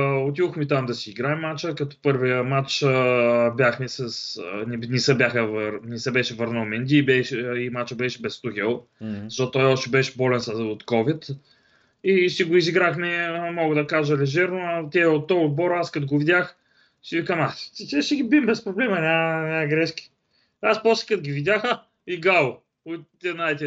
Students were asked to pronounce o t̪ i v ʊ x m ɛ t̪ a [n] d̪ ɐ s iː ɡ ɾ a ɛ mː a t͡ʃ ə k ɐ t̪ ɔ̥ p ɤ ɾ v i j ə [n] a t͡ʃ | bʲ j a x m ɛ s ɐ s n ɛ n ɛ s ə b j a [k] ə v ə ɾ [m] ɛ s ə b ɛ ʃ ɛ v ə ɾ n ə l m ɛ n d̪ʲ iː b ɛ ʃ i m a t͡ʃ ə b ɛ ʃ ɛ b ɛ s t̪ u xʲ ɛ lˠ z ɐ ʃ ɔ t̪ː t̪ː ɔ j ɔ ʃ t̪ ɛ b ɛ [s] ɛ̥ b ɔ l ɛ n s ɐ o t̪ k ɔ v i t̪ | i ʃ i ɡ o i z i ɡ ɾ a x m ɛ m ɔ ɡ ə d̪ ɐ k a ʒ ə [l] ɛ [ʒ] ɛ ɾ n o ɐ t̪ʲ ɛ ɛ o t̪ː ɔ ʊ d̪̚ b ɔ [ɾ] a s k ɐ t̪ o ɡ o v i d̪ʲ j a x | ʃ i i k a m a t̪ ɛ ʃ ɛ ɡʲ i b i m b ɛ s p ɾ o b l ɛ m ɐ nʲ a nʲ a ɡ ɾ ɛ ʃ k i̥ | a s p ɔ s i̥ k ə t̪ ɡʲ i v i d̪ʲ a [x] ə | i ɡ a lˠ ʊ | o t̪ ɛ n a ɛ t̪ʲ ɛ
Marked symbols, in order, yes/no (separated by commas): no, no, no, no, no, yes, yes, yes, yes